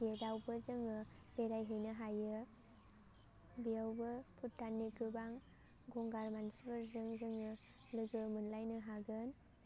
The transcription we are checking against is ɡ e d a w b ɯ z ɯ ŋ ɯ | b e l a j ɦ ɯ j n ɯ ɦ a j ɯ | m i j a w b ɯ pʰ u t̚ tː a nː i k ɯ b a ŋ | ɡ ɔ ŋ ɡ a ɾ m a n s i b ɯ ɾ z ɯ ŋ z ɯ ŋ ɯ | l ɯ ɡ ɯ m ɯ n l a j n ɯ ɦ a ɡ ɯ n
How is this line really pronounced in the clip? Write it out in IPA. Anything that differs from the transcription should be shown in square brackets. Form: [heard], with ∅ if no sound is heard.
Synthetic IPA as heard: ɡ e d a w b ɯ z ɯ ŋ ɯ | b e [ɾ] a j ɦ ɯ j n ɯ ɦ a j ɯ | [b] i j a w b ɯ pʰ u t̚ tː a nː i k ɯ b a ŋ | ɡ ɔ ŋ ɡ a ɾ m a n s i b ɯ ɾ z ɯ ŋ z ɯ ŋ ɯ | l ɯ ɡ ɯ m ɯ n l a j n ɯ ɦ a ɡ ɯ n